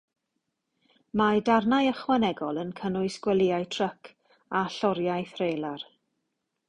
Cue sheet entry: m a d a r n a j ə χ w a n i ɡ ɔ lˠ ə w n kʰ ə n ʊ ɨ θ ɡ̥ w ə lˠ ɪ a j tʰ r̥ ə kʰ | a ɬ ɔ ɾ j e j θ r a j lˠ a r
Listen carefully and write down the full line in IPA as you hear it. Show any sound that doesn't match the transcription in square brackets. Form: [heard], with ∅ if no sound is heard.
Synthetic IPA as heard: m a d a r n a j ə χ w a n [ɛ] ɡ ɔ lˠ ə [∅] n kʰ ə n ʊ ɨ [s] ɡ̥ w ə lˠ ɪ a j tʰ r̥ ə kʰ | a ɬ ɔ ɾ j [a] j θ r [e] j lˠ a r